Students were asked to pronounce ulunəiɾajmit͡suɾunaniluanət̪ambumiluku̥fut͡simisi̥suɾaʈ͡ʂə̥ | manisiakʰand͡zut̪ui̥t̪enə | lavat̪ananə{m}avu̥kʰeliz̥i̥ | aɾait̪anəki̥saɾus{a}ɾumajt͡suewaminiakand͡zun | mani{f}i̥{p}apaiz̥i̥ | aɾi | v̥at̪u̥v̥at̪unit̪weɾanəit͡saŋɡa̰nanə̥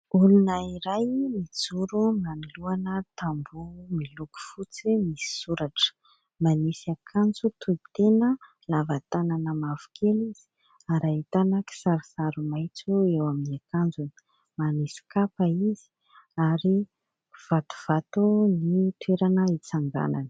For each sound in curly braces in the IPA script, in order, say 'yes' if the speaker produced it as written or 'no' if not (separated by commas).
yes, yes, no, no